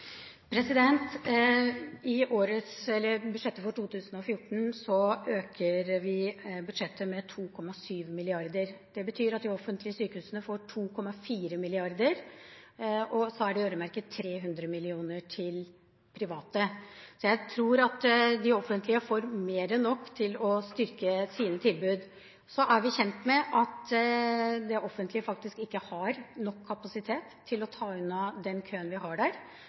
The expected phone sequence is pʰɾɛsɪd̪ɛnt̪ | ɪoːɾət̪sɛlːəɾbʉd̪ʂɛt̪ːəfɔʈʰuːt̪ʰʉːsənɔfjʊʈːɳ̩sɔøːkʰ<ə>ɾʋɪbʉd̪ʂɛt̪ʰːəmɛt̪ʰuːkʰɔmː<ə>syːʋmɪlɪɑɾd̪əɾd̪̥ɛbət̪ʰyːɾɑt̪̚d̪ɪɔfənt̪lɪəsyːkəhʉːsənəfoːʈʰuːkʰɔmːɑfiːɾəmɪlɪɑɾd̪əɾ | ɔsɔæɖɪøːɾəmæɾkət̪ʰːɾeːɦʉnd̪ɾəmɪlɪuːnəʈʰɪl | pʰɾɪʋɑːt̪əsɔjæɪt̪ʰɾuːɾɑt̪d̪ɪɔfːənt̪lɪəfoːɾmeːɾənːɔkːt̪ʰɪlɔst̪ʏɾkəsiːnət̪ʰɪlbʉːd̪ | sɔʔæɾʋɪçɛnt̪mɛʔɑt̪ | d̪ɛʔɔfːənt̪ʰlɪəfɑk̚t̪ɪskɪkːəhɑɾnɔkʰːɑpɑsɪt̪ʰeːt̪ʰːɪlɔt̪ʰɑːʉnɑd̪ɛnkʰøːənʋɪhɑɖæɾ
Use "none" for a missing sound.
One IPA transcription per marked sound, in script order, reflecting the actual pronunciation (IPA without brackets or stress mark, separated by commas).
ə, ɑ